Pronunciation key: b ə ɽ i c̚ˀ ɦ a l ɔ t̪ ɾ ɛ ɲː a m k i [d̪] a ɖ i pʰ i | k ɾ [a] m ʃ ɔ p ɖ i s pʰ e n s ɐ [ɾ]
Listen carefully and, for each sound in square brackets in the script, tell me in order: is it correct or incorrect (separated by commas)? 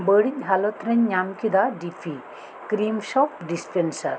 correct, incorrect, correct